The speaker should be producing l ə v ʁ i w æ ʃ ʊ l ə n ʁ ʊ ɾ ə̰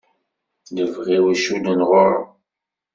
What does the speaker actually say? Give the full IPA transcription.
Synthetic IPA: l ə v ʁ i w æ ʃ u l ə n ʁ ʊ ɾ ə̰